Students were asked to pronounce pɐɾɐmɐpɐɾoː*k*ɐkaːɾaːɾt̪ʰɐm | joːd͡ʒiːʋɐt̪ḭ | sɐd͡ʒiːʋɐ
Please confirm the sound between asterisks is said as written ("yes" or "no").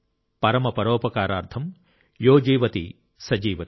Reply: no